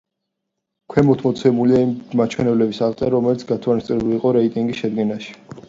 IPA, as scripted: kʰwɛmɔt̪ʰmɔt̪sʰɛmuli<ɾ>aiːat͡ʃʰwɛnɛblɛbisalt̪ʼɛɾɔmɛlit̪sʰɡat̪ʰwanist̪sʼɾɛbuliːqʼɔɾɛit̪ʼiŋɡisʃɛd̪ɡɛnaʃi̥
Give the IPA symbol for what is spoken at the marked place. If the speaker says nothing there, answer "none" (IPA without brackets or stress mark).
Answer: none